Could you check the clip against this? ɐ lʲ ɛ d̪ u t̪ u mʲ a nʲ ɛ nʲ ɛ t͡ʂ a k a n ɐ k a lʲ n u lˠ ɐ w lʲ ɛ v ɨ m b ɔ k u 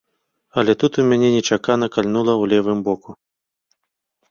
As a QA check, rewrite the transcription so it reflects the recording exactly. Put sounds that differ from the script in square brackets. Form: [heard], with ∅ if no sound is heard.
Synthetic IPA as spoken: ɐ lʲ ɛ [t̪] u t̪ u mʲ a nʲ ɛ nʲ ɛ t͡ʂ a k a n ɐ k a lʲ n u lˠ ɐ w lʲ ɛ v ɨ m b ɔ k u